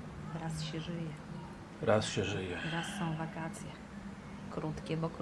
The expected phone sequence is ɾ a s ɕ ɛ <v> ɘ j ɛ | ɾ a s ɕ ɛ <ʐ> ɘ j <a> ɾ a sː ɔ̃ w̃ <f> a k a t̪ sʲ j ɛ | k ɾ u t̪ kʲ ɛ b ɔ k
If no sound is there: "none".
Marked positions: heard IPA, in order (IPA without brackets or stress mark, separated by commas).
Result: ʐ, ʐ, ɛ, v